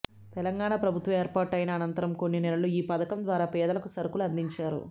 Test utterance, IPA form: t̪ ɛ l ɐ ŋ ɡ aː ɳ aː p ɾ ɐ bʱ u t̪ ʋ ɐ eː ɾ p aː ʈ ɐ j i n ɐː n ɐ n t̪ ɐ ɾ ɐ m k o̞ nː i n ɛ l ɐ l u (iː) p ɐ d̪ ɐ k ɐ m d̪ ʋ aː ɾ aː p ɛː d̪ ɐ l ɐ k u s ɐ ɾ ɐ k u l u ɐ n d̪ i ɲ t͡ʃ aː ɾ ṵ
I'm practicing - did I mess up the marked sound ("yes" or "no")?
no